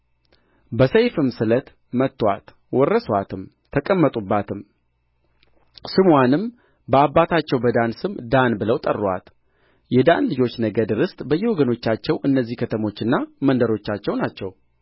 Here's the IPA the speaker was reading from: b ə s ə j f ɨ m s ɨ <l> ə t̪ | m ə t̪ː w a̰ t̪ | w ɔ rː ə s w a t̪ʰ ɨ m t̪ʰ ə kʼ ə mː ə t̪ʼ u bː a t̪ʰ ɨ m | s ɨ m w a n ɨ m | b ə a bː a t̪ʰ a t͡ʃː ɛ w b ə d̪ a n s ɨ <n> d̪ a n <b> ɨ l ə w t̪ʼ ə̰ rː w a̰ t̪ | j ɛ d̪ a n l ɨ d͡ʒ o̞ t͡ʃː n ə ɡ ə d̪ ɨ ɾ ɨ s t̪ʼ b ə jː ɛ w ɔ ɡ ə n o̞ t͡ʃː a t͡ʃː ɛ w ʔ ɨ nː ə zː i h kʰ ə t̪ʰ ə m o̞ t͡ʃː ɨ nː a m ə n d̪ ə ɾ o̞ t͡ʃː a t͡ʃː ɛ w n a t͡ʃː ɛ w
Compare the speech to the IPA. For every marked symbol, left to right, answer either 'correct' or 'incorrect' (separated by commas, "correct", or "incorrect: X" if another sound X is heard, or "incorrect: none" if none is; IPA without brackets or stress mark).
correct, incorrect: m, correct